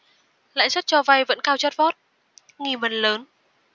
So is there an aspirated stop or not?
no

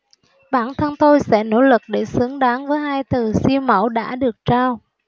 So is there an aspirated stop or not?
yes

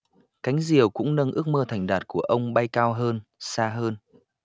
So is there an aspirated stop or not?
yes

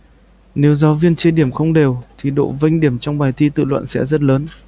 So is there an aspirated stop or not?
yes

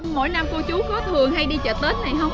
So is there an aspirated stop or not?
yes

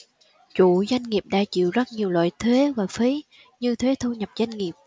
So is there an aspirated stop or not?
yes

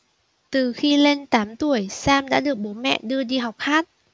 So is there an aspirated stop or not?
no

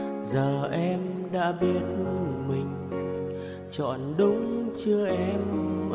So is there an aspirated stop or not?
no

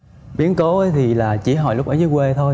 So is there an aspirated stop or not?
yes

